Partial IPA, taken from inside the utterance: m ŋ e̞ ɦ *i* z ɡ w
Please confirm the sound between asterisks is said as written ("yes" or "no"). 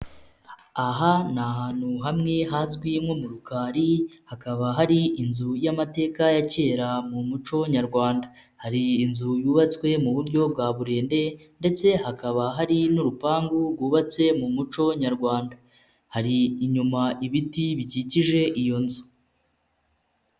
no